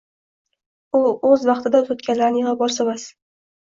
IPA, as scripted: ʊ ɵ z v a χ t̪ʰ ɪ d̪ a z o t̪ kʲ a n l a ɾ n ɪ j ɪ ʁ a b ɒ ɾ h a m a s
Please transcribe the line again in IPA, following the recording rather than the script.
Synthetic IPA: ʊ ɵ z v ɑ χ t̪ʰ ɪ d̪ a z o t̪ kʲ a n l a ɾ n ɪ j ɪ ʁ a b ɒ ɾ s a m a s

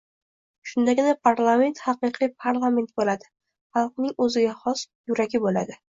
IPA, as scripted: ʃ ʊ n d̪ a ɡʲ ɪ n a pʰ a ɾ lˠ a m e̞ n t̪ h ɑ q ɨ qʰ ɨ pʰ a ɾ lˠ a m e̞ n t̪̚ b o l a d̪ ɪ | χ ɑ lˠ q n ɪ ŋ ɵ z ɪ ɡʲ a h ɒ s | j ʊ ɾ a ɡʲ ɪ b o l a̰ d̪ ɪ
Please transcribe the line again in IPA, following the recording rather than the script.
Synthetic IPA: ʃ ʊ n d̪ a ɡʲ ɪ n a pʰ a ɾ lˠ a m e̞ n t̪ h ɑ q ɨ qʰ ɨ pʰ a ɾ lˠ a m e̞ n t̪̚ b o l a d̪ ɪ | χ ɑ lˠ q n ɪ ŋ ɵ z ɪ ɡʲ a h ɒ s | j ʊ ɾ a ɡʲ ɪ b o l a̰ d̪ ɪ

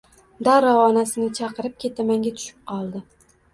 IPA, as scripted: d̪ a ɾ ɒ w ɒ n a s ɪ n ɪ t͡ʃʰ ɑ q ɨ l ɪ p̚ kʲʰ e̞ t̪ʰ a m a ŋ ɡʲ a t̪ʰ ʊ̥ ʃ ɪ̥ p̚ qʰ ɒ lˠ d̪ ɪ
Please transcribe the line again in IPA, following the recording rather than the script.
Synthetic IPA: d̪ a ɾ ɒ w ɒ n a s ɪ n ɪ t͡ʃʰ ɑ q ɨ ɾ ɪ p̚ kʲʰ e̞ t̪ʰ a m a ŋ ɡʲ a t̪ʰ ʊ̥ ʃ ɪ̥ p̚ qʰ ɒ lˠ d̪ ɪ

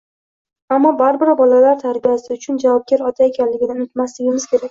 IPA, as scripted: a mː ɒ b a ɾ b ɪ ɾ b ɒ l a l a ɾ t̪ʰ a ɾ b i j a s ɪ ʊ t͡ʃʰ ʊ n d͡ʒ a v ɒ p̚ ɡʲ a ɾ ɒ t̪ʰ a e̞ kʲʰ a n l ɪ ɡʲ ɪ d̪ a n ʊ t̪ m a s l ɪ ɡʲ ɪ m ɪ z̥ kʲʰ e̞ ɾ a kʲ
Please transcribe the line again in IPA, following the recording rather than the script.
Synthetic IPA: a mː ɒ b a ɾ b ɪ ɾ b ɒ l a l a ɾ t̪ʰ a ɾ b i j a s ɪ ʊ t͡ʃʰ ʊ n d͡ʒ a v ɒ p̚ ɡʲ a ɾ ɒ t̪ʰ a e̞ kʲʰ a n l ɪ ɡʲ ɪ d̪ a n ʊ t̪ m a s l ɪ ɡʲ ɪ m ɪ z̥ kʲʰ e̞ ɾ a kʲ

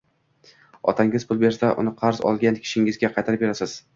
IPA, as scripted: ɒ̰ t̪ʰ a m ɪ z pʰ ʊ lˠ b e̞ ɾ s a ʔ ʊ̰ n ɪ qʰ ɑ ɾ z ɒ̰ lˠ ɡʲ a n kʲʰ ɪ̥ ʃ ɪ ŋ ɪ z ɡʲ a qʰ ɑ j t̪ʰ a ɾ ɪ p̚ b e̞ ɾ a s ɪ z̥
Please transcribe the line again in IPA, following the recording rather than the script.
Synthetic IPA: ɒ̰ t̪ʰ a ŋ ɪ z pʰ ʊ lˠ b e̞ ɾ s a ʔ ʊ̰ n ɪ qʰ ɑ ɾ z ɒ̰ lˠ ɡʲ a n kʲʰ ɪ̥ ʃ ɪ ŋ ɪ z ɡʲ a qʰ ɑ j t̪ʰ a ɾ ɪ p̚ b e̞ ɾ a s ɪ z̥

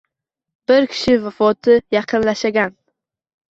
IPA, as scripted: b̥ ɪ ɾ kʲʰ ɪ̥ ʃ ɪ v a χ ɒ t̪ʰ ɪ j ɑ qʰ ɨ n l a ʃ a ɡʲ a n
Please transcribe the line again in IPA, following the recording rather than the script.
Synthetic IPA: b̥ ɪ ɾ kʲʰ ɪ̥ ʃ ɪ v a f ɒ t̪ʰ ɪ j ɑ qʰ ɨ n l a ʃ a ɡʲ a n

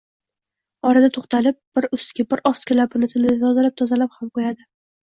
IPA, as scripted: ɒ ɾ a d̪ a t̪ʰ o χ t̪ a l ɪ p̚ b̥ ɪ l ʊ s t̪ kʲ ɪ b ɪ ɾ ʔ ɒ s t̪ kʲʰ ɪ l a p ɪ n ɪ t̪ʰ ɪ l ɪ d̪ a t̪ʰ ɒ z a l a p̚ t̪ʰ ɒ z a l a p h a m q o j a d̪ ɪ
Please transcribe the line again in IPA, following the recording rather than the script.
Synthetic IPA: ɒ ɾ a d̪ a t̪ʰ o χ t̪ a l ɪ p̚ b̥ ɪ ɾ ʊ s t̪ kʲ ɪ b ɪ ɾ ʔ ɒ s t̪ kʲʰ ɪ l a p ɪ n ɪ t̪ʰ ɪ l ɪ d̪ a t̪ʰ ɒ z a l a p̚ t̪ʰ ɒ z a l a p h a m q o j a d̪ ɪ

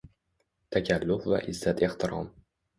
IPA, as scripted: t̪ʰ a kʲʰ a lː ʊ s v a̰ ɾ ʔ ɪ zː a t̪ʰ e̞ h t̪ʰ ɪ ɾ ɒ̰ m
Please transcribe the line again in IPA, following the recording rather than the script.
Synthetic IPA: t̪ʰ a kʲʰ a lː ʊ f v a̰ ʔ ɪ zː a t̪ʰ e̞ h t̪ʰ ɪ ɾ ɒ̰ m

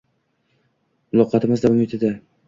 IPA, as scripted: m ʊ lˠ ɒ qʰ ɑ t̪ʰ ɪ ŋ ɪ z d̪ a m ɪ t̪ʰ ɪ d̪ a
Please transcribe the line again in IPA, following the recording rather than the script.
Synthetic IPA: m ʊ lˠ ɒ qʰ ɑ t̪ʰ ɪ m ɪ z d̪ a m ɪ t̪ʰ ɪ d̪ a

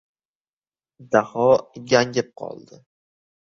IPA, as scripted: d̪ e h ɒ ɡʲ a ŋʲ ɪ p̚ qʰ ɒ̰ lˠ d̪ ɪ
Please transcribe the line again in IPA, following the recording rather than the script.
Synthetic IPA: d̪ a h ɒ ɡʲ a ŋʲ ɪ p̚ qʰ ɒ̰ lˠ d̪ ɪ

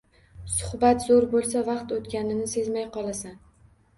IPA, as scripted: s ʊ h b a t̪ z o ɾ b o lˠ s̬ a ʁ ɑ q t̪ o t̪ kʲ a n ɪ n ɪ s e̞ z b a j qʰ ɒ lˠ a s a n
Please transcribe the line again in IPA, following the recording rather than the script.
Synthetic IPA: s ʊ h b a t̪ z o ɾ b o lˠ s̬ a v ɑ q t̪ o t̪ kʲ a n ɪ n ɪ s e̞ z m a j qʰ ɒ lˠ a s a n

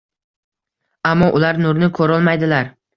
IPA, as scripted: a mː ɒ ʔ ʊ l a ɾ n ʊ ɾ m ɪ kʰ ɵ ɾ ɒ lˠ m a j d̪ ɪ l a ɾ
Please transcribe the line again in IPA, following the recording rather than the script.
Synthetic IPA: a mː ɒ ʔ ʊ l a ɾ n ʊ ɾ n ɪ kʰ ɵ ɾ ɒ lˠ m a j d̪ ɪ l a ɾ

